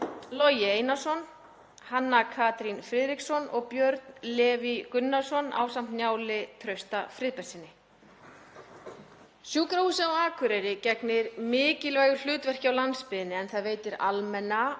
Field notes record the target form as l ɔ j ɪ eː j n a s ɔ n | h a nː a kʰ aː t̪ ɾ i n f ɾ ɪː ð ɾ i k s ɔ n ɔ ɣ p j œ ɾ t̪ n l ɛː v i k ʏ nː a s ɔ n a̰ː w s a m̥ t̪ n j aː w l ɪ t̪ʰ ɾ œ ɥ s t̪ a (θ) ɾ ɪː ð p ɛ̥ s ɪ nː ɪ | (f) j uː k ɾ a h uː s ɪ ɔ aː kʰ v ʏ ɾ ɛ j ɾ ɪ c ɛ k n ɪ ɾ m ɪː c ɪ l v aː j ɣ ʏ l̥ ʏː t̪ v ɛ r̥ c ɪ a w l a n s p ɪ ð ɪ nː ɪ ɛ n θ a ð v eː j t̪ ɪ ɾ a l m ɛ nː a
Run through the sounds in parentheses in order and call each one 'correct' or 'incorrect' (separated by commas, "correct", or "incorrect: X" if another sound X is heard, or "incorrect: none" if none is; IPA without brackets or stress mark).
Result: incorrect: f, incorrect: s